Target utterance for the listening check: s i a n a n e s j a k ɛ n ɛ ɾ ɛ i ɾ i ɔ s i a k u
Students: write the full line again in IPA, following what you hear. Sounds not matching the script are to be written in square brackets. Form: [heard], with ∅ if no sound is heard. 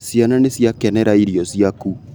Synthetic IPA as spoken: s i a n a n e s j a k ɛ n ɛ ɾ [a] i ɾ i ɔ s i a k u